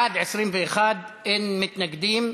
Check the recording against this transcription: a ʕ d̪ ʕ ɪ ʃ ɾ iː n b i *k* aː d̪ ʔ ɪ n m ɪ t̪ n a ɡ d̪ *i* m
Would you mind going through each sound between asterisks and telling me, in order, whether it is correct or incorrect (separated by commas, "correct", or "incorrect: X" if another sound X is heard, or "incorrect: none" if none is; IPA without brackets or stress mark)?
incorrect: x, incorrect: iː